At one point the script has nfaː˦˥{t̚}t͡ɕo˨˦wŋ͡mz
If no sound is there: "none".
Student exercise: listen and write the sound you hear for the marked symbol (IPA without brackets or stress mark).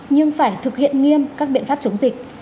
p̚